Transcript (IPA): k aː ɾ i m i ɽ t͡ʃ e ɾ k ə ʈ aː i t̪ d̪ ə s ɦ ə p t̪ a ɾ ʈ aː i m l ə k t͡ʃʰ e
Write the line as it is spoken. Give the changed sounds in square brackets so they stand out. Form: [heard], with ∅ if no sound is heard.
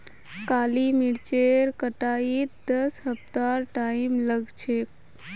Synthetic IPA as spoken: k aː [l] i m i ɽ t͡ʃ e ɾ k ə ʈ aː i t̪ d̪ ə s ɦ ə p t̪ a ɾ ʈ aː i m l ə [ɡ] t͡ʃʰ e